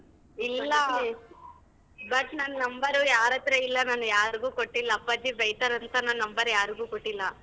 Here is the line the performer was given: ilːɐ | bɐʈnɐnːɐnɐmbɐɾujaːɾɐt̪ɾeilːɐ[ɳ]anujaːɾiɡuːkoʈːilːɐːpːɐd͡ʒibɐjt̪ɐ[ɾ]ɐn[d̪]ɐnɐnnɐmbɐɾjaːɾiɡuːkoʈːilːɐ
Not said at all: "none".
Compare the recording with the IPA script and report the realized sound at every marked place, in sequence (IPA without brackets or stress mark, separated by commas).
n, ɾ, t̪